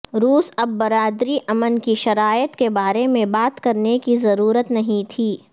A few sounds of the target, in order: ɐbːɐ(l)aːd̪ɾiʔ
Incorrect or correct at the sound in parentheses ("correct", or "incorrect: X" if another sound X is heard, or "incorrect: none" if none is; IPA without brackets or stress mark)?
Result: incorrect: ɾ